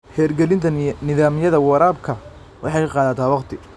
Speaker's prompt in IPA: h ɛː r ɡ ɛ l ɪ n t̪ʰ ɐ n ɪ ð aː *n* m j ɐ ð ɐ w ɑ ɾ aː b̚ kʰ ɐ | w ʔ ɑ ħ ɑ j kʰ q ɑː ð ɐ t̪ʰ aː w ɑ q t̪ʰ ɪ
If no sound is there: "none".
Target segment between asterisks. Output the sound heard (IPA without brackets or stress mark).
none